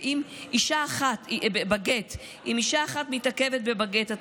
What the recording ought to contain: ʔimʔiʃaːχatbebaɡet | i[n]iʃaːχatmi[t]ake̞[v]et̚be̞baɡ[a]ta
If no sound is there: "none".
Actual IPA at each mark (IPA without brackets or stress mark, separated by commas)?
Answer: m, t, v, e